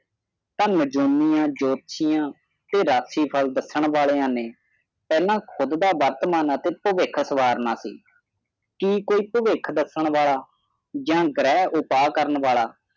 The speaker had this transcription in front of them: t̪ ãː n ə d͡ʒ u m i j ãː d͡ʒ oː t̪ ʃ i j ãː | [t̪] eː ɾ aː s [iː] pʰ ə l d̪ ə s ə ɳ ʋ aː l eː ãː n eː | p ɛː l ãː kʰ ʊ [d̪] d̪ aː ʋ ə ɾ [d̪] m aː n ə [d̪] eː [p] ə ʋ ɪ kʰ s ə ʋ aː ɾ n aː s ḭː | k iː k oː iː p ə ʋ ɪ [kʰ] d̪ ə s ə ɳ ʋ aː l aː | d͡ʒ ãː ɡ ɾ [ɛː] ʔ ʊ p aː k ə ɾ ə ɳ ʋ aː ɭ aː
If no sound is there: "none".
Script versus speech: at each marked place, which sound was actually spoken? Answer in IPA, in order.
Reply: t̪, iː, d̪, t̪, t̪, p, kʰ, ɛː

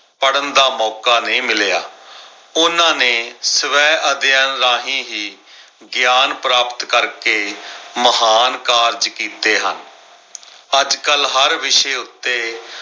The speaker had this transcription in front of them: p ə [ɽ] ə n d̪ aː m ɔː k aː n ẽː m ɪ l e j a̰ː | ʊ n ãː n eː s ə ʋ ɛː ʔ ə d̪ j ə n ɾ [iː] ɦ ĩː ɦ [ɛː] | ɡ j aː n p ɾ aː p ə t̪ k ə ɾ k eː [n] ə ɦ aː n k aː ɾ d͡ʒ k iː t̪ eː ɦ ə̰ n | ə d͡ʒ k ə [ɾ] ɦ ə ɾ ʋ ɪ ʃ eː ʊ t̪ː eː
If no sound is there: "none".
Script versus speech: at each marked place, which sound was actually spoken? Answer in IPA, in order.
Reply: ɽ, aː, iː, m, l

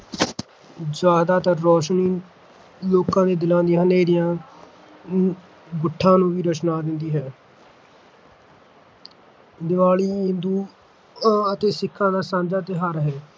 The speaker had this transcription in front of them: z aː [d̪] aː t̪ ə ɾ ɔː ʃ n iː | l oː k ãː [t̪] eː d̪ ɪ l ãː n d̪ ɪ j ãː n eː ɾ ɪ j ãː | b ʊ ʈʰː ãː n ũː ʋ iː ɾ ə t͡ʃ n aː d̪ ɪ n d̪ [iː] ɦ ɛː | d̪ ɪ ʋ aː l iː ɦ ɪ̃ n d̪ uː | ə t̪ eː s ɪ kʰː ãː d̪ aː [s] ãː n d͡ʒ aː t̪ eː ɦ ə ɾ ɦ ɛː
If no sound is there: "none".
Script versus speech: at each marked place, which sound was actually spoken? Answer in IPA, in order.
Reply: d̪, d̪, iː, s

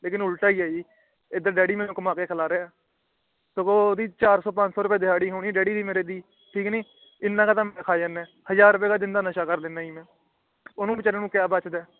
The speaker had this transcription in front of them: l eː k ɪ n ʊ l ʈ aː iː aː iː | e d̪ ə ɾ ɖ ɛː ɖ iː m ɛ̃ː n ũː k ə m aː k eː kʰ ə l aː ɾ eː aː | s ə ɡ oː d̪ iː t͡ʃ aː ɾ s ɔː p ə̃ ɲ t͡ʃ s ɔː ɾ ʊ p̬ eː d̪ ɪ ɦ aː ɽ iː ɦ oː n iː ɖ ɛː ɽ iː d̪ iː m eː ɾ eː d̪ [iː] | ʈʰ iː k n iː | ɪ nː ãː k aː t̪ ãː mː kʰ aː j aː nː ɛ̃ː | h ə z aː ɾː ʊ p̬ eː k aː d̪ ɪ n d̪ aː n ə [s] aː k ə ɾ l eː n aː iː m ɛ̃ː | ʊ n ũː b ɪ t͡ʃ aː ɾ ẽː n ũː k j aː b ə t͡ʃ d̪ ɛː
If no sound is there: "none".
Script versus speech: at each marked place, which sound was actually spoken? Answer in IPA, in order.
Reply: iː, ʃ

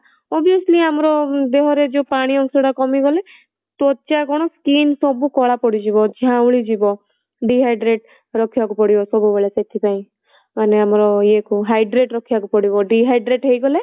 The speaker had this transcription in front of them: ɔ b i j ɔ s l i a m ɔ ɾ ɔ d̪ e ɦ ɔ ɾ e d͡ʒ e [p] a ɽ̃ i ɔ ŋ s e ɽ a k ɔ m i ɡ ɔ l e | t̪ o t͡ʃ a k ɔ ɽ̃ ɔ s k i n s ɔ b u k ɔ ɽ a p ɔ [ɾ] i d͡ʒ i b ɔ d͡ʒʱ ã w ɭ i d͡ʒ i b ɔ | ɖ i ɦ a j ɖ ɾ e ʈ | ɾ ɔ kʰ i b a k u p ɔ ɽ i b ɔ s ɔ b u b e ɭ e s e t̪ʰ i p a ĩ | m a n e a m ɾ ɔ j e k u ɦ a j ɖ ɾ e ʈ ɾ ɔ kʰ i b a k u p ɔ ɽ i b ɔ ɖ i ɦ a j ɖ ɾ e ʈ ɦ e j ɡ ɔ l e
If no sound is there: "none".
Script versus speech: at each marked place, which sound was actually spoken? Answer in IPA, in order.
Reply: p, ɽ

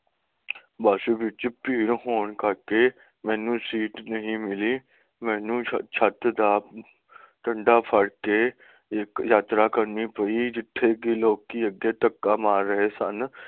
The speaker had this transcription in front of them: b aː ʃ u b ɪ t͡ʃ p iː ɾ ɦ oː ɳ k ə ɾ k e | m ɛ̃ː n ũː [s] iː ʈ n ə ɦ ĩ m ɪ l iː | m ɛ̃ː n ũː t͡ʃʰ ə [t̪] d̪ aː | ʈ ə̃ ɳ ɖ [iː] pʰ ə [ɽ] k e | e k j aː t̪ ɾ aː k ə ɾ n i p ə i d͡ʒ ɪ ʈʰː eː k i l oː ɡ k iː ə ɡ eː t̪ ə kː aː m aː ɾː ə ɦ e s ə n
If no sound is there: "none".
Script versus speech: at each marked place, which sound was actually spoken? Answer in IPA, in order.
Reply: s, t̪, aː, ɽ

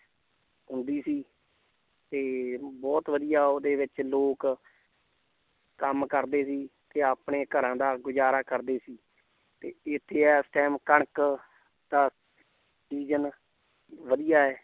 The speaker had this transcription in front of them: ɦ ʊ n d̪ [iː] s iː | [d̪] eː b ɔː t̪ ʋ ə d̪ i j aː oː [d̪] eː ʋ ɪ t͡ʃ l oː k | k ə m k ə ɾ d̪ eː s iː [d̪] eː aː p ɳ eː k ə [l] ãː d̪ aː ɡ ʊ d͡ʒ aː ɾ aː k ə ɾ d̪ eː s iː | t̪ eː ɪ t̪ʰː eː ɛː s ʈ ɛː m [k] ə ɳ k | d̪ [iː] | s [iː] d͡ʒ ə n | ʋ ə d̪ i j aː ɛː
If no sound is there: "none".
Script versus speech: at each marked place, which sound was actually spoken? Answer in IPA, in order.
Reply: iː, t̪, d̪, t̪, ɾ, k, aː, iː

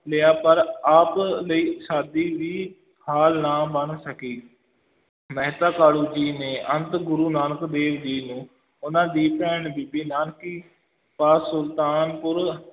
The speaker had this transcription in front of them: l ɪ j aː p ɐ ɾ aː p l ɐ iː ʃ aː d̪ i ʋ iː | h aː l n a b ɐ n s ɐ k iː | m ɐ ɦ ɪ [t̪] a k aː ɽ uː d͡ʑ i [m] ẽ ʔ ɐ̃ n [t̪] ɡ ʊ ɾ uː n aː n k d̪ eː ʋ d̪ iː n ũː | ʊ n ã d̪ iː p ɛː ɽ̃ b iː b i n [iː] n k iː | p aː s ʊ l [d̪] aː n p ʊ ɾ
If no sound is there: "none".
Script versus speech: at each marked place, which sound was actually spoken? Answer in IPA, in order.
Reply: t̪, n, t̪, aː, t̪

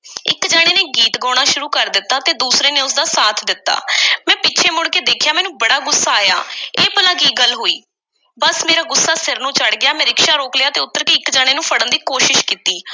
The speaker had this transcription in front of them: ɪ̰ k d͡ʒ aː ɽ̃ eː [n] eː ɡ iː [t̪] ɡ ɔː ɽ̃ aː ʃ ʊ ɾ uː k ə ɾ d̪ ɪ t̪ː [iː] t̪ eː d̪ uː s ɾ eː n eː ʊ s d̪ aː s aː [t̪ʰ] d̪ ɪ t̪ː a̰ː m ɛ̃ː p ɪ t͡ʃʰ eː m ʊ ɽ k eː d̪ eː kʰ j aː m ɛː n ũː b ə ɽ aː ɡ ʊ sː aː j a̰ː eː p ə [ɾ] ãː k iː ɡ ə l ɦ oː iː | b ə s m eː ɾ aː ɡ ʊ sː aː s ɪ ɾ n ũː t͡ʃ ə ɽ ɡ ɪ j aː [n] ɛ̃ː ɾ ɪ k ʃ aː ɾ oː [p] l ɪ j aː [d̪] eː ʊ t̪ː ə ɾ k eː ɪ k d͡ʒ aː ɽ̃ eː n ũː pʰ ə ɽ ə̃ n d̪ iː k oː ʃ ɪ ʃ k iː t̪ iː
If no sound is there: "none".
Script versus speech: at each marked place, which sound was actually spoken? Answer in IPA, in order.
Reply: n, t̪, aː, t̪ʰ, l, m, k, t̪

